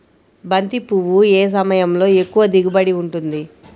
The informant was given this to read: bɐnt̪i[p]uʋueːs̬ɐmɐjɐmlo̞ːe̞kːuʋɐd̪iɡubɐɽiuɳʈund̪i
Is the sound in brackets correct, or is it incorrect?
correct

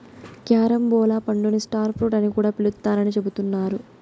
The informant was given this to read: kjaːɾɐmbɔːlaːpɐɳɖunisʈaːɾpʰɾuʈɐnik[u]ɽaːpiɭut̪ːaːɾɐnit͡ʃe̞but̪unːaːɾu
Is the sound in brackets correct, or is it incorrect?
incorrect: uː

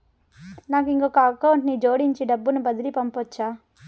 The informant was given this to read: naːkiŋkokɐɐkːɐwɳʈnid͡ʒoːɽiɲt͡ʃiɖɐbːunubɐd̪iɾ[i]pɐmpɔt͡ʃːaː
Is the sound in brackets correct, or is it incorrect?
correct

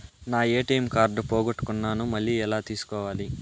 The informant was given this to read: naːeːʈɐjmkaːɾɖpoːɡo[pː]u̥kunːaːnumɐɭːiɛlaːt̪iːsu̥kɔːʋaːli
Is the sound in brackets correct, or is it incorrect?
incorrect: ʈː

